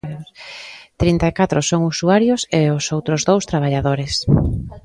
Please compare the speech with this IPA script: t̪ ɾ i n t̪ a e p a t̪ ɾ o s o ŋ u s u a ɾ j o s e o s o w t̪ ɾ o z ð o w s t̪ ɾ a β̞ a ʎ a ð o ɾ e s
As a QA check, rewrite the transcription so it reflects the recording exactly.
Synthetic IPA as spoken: t̪ ɾ i n t̪ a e k a t̪ ɾ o s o ŋ u s u a ɾ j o s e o s o w t̪ ɾ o z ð o w s t̪ ɾ a β̞ a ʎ a ð o ɾ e s